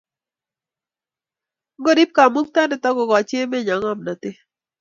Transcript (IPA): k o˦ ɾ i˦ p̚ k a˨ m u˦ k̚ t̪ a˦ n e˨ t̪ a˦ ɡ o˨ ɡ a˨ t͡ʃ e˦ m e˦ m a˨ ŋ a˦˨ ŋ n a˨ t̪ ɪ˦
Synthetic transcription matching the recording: ɡ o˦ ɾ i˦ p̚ k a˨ m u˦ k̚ t̪ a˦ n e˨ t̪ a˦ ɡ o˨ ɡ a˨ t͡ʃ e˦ m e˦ ɲ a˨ ŋ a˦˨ m n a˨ t̪ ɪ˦